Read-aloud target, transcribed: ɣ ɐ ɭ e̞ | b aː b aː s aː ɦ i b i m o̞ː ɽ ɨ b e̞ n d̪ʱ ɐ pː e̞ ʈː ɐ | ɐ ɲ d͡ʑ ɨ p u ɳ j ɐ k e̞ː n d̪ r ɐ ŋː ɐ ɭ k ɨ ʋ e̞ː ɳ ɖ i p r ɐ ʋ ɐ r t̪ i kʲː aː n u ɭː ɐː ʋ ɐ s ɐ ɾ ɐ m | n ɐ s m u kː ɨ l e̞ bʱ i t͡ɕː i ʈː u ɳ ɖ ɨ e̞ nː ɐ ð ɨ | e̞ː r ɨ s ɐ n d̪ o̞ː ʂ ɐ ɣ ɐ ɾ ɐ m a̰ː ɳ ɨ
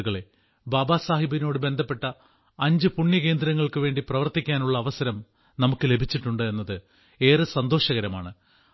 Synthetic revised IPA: ɣ ɐ ɭ e̞ | b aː b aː s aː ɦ i b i n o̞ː ɽ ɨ b e̞ n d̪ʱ ɐ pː e̞ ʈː ɐ | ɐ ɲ d͡ʑ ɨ p u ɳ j ɐ k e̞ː n d̪ ɾ ɐ ŋː ɐ ɭ k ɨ ʋ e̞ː ɳ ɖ i p r ɐ ʋ ɐ r t̪ i kʲː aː n u ɭː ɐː ʋ ɐ s ɐ ɾ ɐ m | n ɐ m u kː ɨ l e̞ bʱ i t͡ɕː i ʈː u ɳ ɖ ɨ e̞ nː ɐ ð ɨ | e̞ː r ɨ s ɐ n d̪ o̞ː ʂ ɐ ɣ ɐ ɾ ɐ m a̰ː ɳ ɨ